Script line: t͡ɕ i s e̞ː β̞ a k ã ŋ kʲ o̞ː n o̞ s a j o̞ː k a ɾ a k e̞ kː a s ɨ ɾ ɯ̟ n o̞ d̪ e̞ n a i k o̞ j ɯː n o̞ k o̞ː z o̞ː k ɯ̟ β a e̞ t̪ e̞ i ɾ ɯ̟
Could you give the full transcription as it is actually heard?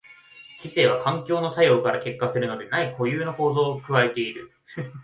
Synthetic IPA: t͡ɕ i s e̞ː β̞ a k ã ŋ kʲ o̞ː n o̞ s a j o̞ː k a ɾ a k e̞ kː a s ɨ ɾ ɯ̟ n o̞ d̪ e̞ n a i k o̞ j ɯː n o̞ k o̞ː z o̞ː k ɯ̟ β a e̞ t̪ e̞ i ɾ ɯ̟